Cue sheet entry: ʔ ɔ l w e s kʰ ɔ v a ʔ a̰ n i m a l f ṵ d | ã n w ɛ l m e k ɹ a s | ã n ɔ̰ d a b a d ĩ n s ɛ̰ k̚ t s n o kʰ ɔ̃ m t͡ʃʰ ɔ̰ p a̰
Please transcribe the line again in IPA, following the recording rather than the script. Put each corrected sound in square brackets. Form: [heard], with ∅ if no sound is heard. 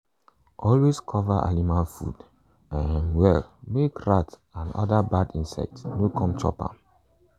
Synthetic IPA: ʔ ɔ l w e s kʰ ɔ v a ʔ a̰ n i m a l f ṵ d | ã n w ɛ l m e k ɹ a [t] | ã n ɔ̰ d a b a d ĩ n s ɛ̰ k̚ t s n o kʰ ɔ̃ m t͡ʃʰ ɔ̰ p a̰